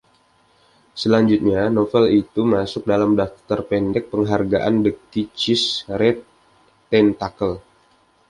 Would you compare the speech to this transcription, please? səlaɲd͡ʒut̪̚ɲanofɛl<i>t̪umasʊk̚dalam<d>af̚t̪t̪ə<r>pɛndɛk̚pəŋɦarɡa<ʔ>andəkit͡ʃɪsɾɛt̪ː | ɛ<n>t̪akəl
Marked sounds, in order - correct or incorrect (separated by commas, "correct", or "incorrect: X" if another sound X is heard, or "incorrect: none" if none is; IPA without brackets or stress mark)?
correct, correct, correct, correct, correct